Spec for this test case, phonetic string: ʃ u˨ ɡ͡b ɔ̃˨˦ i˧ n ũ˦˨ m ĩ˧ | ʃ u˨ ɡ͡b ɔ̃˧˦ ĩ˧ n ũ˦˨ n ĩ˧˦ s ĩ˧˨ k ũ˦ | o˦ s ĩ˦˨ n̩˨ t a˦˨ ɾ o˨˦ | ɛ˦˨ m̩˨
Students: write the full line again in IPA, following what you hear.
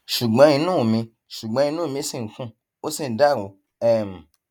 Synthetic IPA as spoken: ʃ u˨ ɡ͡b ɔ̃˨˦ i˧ n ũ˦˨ m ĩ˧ | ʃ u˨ ɡ͡b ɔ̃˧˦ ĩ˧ n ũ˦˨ m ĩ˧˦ s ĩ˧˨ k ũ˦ | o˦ s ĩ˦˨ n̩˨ d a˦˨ ɾ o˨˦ | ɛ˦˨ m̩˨